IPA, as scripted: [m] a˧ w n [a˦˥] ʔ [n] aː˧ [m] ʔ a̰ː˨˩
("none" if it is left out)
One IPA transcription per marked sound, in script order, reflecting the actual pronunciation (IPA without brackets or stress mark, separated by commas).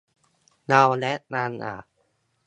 n, ɛ˦˥, n, n